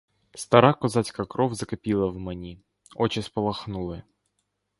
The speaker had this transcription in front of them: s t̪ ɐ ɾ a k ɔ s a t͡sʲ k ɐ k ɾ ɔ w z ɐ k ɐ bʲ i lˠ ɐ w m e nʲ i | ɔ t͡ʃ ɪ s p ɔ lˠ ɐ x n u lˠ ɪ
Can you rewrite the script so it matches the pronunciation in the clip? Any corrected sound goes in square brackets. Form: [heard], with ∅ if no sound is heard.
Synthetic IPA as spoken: s t̪ ɐ ɾ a k ɔ [z] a t͡sʲ k ɐ k ɾ ɔ w z ɐ k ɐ [pʲ] i lˠ ɐ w m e nʲ i | ɔ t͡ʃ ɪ s p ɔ lˠ ɐ x n u lˠ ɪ